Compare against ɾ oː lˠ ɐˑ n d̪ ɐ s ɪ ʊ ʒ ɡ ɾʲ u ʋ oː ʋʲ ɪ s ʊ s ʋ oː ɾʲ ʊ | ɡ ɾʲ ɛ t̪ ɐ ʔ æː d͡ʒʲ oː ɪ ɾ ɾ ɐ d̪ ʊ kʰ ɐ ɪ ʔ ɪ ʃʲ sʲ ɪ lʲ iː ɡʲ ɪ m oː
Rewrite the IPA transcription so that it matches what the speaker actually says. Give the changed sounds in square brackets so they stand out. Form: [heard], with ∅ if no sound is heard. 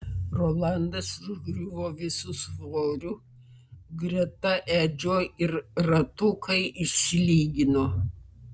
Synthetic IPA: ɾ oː lˠ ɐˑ n d̪ ɐ s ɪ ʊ ʒ ɡ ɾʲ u ʋ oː ʋʲ ɪ s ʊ s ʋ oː ɾʲ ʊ | ɡ ɾʲ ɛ t̪ ɐ ʔ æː d͡ʒʲ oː ɪ ɾ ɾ ɐ [t̪] ʊ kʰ ɐ ɪ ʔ ɪ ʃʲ sʲ ɪ lʲ iː ɡʲ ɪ [n] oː